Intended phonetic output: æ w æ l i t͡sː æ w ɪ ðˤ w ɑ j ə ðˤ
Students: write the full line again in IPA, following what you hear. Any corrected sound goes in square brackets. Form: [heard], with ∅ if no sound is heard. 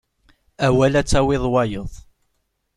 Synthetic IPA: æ w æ l [æ] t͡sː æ w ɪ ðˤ w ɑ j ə ðˤ